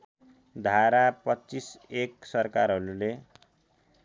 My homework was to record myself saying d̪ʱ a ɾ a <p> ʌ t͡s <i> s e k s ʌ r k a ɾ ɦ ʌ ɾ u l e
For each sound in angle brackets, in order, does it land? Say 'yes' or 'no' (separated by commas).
yes, yes